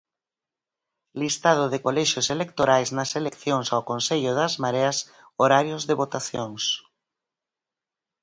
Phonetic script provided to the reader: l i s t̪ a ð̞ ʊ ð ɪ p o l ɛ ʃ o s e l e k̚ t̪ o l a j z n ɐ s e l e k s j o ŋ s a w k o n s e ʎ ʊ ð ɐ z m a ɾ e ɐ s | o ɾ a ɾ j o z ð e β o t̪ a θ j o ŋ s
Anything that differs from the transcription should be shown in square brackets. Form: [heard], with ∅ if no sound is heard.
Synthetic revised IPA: l i s t̪ a ð̞ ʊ ð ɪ [k] o l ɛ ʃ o s e l e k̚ t̪ o [ɾ] a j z n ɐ s e l e k [θ] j o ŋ s a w k o n s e ʎ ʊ ð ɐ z m a ɾ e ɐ s | o ɾ a ɾ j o z ð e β o t̪ a θ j o ŋ s